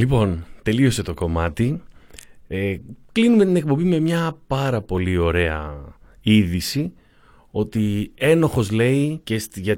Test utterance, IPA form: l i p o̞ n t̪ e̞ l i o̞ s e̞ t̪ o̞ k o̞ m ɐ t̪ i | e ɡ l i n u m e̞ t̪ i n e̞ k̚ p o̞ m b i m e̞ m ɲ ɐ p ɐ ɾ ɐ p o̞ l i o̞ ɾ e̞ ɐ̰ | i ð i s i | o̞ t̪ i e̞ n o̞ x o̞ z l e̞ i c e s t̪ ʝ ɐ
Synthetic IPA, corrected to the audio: l i p o̞ n t̪ e̞ l i o̞ s e̞ t̪ o̞ k o̞ m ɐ t̪ i | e k l i n u m e̞ t̪ i n e̞ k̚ p o̞ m b i m e̞ m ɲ ɐ p ɐ ɾ ɐ p o̞ l i o̞ ɾ e̞ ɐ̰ | i ð i s i | o̞ t̪ i e̞ n o̞ x o̞ z l e̞ i c e s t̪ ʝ ɐ